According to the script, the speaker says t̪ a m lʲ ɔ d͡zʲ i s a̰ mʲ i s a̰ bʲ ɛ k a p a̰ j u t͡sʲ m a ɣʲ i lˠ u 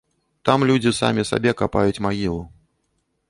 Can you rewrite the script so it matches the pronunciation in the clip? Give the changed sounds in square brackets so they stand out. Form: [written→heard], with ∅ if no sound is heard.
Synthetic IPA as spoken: t̪ a m lʲ [ɔ→u] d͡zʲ i s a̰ mʲ i s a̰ bʲ ɛ k a p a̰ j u t͡sʲ m a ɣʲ i lˠ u